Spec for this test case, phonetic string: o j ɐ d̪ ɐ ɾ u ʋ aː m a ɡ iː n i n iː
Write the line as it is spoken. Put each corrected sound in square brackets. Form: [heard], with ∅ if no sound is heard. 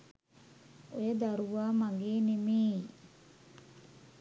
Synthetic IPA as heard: o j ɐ d̪ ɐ ɾ u ʋ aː m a ɡ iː n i [m] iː